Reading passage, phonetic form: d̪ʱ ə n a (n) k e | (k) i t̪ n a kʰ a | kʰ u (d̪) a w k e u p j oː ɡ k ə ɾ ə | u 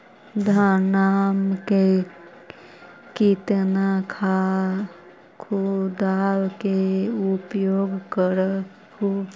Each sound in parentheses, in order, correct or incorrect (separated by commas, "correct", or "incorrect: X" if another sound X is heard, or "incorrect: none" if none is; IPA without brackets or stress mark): incorrect: m, correct, correct